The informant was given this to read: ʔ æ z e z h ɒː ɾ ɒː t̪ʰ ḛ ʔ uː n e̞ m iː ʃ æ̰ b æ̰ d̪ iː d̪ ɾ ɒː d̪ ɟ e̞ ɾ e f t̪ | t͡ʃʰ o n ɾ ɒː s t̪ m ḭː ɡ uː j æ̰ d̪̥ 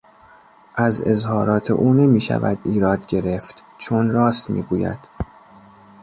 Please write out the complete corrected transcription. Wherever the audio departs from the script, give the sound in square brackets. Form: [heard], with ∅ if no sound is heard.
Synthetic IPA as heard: ʔ æ z e z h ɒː ɾ ɒː t̪ʰ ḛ ʔ uː n e̞ m iː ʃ æ̰ [v] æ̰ d̪ iː [∅] ɾ ɒː d̪ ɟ e̞ ɾ e f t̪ | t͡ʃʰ o n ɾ ɒː s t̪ m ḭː ɡ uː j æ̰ d̪̥